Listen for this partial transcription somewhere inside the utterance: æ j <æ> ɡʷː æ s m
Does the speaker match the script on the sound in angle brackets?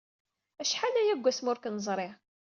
yes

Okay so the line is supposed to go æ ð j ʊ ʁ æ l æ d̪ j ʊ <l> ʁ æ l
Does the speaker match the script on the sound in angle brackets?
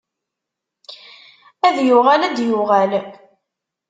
no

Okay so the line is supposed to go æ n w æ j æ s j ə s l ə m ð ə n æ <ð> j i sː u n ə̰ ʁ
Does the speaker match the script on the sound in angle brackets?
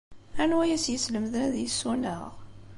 yes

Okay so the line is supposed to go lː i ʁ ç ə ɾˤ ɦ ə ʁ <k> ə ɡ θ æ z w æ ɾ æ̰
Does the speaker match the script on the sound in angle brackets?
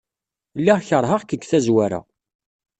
yes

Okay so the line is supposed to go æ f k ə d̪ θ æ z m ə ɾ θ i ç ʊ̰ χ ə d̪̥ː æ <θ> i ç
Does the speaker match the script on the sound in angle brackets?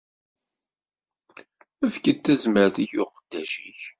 no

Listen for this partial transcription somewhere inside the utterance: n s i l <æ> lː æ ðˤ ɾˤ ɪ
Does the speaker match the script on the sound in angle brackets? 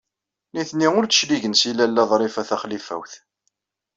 yes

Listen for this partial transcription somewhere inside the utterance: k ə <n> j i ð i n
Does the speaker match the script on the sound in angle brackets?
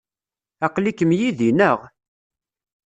no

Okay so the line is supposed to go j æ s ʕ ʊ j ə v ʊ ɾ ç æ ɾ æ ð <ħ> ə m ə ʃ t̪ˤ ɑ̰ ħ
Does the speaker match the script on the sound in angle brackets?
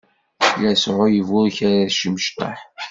no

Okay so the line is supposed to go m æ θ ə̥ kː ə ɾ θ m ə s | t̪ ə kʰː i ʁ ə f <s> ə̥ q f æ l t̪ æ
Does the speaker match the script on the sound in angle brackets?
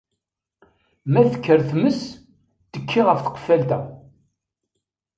no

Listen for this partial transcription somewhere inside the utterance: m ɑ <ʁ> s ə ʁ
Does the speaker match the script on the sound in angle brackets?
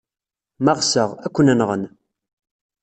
yes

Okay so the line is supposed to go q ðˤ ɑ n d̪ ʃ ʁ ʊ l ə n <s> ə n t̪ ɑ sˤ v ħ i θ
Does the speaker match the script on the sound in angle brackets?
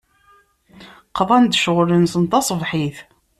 yes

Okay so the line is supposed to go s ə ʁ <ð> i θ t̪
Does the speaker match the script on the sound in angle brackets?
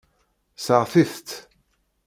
no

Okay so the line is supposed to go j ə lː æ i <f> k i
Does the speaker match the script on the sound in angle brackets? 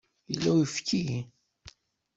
yes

